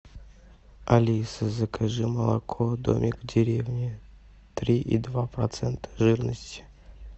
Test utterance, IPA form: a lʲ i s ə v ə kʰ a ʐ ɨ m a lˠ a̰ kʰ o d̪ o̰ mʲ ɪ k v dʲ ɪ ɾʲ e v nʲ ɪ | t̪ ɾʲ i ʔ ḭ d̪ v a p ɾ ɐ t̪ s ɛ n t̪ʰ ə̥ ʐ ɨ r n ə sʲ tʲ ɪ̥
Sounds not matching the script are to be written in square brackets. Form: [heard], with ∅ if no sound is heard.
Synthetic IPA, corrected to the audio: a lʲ i s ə [z] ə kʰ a ʐ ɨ m [ə] lˠ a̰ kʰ o d̪ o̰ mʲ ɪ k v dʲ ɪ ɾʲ e v nʲ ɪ | t̪ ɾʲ i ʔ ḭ d̪ v a p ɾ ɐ t̪ s ɛ n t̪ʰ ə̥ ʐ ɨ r n ə sʲ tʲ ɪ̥